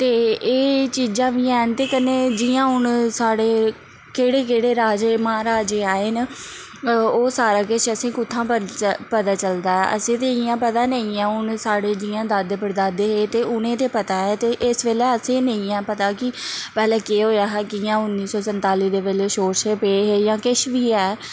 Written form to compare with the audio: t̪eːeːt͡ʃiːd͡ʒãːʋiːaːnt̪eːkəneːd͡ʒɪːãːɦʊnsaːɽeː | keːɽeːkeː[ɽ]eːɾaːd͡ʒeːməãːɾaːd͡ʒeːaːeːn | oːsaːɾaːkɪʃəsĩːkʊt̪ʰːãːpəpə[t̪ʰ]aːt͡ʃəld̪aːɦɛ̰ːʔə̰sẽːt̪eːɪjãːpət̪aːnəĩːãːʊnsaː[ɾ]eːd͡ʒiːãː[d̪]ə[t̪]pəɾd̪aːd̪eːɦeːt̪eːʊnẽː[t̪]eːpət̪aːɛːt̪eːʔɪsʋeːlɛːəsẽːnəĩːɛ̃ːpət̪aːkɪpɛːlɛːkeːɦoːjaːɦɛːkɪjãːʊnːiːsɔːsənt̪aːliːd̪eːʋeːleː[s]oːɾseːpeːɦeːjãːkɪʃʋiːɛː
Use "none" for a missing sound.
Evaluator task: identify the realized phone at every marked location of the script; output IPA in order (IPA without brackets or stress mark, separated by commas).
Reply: ɽ, t̪, ɽ, d̪, d̪, t̪, ʃ